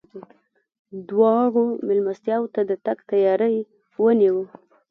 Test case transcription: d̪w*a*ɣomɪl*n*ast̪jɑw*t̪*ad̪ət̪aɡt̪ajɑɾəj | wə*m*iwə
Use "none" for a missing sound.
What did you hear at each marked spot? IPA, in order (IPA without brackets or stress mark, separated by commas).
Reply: ɑ, m, t̪, n